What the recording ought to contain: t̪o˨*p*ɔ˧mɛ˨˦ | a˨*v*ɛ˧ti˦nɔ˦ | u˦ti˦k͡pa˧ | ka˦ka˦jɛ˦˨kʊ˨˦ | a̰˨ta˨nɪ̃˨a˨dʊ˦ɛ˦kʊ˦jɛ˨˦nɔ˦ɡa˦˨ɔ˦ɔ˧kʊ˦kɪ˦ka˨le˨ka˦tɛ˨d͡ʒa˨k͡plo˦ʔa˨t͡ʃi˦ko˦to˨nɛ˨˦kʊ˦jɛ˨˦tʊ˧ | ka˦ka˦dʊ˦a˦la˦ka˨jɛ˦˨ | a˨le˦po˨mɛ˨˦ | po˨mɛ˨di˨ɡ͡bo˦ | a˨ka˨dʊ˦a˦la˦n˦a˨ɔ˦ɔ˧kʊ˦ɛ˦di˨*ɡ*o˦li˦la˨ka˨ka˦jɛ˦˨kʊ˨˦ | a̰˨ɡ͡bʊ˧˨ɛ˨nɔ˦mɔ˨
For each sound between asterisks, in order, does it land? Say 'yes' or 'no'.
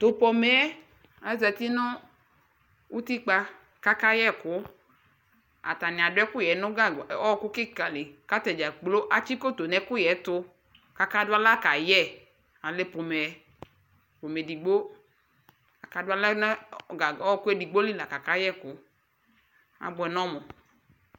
yes, no, no

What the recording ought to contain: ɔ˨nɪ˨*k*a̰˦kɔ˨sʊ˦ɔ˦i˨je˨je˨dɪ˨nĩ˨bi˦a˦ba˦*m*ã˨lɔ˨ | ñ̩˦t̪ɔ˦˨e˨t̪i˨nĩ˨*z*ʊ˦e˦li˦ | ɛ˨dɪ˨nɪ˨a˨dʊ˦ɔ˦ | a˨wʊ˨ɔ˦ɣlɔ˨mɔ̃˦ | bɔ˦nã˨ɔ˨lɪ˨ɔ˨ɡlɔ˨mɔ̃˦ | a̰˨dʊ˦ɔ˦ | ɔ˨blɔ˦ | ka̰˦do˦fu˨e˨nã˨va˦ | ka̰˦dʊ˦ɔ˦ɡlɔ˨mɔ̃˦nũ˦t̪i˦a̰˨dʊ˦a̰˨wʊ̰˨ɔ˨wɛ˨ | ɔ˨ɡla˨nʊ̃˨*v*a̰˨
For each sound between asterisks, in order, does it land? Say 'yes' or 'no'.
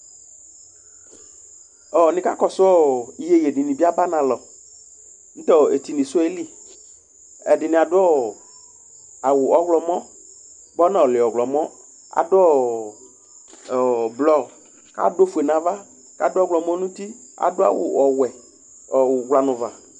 yes, no, no, yes

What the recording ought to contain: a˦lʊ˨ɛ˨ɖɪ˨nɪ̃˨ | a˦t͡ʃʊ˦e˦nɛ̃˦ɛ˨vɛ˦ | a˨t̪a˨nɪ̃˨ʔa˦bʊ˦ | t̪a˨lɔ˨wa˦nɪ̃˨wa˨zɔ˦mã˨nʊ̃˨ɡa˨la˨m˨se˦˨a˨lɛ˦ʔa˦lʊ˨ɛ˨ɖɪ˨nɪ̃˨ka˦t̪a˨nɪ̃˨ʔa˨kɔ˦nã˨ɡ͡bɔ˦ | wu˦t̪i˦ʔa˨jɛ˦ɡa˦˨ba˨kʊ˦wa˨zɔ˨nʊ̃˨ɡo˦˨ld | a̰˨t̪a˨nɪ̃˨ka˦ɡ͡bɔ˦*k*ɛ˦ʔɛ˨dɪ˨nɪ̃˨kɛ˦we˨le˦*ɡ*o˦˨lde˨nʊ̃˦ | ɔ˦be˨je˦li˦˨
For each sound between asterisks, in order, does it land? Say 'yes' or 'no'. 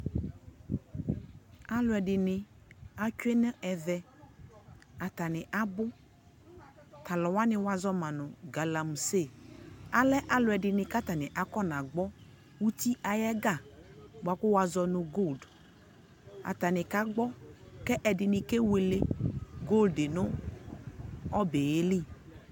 yes, yes

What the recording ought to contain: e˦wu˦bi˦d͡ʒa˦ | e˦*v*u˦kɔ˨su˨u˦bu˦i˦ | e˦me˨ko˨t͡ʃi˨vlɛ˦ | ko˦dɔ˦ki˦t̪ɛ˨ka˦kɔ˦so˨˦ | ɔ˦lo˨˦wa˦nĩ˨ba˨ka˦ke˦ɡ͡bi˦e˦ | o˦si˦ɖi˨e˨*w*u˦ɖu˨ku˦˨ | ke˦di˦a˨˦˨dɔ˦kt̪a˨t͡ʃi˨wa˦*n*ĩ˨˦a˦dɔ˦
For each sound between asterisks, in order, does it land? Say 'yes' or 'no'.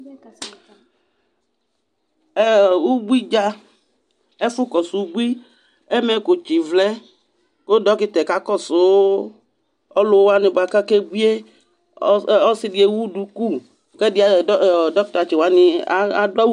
no, yes, yes

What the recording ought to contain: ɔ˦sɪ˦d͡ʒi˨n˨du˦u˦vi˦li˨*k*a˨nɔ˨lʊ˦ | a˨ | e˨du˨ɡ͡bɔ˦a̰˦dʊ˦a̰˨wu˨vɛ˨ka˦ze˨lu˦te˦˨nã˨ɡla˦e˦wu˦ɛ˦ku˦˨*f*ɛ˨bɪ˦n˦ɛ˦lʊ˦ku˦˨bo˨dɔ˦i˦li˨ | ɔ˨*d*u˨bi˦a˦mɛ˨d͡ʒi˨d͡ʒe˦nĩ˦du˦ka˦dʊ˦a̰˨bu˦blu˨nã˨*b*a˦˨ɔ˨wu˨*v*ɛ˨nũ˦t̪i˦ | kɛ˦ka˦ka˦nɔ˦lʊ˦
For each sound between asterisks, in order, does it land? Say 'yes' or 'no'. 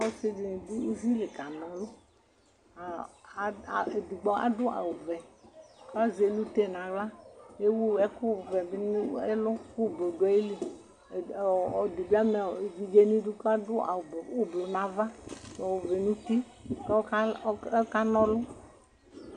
yes, no, yes, no, yes

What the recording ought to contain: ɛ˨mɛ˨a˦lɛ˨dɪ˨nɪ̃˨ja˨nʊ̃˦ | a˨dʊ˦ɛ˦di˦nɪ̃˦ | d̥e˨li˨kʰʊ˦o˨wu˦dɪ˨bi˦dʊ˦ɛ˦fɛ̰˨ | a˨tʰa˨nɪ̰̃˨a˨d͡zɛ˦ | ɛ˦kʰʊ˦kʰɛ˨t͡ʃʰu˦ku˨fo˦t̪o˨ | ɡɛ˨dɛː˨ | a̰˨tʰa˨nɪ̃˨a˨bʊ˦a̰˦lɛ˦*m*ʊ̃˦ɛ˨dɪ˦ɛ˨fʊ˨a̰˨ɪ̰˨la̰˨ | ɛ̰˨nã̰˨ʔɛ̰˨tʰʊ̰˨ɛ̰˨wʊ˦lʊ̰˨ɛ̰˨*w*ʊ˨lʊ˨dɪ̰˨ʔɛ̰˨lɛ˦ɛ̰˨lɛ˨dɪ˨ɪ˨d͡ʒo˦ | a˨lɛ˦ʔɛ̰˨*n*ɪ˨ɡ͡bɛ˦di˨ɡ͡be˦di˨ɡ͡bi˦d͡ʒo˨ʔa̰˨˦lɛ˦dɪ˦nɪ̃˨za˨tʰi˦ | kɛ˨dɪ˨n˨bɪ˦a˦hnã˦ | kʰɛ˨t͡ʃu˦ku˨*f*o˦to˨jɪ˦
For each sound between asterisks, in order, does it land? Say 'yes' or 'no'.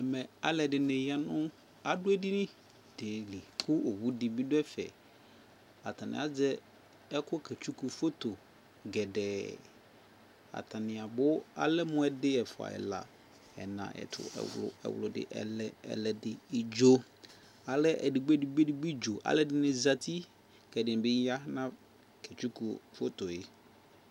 yes, yes, no, yes

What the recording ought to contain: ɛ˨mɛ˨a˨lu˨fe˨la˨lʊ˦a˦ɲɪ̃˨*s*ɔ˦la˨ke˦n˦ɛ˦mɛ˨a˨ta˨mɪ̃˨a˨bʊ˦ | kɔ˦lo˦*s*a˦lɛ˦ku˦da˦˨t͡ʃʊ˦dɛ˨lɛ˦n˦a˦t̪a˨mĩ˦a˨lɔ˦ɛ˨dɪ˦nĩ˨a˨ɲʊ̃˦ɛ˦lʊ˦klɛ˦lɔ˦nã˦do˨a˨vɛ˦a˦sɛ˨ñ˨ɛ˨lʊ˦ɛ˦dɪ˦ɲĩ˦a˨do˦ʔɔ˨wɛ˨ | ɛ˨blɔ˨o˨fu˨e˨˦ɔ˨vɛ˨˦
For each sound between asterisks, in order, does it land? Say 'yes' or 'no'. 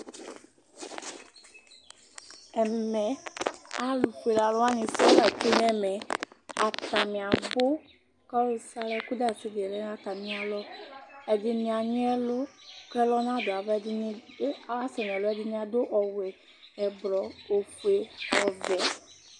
yes, yes

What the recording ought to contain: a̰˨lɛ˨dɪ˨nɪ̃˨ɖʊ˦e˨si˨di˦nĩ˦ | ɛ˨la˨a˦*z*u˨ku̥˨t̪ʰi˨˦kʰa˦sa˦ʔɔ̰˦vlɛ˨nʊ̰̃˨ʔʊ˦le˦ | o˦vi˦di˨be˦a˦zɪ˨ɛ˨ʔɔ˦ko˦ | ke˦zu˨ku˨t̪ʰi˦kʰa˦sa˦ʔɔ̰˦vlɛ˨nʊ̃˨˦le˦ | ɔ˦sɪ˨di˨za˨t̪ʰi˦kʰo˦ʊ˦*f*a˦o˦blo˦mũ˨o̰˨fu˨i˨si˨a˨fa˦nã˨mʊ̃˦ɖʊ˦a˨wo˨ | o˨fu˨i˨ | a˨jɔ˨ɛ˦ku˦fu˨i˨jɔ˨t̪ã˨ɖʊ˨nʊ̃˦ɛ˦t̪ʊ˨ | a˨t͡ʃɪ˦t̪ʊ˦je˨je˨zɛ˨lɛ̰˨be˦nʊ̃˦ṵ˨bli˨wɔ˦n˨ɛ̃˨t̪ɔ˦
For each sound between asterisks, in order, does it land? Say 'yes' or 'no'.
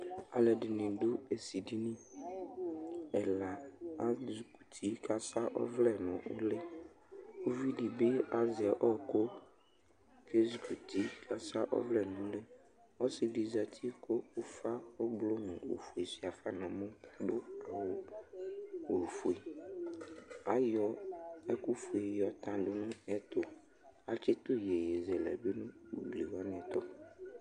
yes, yes

